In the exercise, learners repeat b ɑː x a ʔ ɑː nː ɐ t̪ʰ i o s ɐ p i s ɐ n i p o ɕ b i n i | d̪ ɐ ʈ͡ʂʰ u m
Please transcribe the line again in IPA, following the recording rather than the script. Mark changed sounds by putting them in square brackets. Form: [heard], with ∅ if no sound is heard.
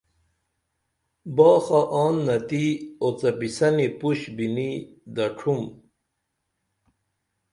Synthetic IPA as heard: b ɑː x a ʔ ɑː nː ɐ [t̪] i o [t͡s] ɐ p i s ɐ n i p [u] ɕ b i n i | d̪ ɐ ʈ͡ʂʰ u m